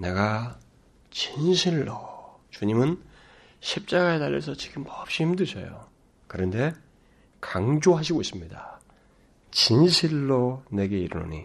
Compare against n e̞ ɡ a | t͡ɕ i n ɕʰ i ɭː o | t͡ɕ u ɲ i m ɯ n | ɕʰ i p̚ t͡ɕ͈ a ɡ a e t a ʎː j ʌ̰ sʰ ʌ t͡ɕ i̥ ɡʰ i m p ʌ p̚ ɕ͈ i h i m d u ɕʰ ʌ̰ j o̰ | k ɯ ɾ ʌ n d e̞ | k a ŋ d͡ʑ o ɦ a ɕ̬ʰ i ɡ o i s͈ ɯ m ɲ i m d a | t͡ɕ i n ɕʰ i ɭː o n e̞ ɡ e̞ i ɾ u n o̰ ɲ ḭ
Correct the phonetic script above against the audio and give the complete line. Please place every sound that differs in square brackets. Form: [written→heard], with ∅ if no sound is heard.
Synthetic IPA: n e̞ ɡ a | t͡ɕ i n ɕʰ i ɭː o | t͡ɕ u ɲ i m ɯ n | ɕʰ i p̚ t͡ɕ͈ a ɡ a e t a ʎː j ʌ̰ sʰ ʌ t͡ɕ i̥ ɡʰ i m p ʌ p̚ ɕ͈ i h i m d [u→ɯ] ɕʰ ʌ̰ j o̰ | k ɯ ɾ ʌ n d e̞ | k a ŋ d͡ʑ o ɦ a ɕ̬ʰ i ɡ o i s͈ ɯ m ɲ i [m→∅] d a | t͡ɕ i n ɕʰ i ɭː o n e̞ ɡ e̞ i ɾ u n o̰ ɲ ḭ